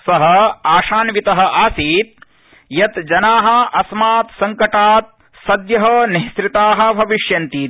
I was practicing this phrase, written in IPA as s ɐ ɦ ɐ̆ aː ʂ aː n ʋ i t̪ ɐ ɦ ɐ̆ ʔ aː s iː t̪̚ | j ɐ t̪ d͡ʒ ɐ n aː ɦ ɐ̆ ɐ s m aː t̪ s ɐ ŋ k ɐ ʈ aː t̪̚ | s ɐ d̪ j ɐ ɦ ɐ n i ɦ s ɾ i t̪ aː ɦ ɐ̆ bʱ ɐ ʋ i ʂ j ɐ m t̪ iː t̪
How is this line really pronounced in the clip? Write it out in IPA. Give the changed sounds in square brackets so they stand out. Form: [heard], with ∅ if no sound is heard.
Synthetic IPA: s ɐ ɦ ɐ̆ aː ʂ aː n ʋ i t̪ ɐ ɦ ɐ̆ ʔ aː s iː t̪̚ | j ɐ t̪ d͡ʒ ɐ n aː ɦ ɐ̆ ɐ s m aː t̪ s ɐ ŋ k ɐ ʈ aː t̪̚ | s ɐ d̪ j ɐ ɦ ɐ n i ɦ s ɾ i t̪ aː ɦ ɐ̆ bʱ ɐ ʋ i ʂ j ɐ [n] t̪ iː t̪